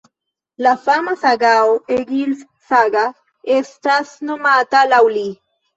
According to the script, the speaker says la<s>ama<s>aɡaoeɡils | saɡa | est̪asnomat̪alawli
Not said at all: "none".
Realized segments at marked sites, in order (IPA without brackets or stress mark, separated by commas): f, s